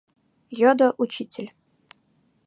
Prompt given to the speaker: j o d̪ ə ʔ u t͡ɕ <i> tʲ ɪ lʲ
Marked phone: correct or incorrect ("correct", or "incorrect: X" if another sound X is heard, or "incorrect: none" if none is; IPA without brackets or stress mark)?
correct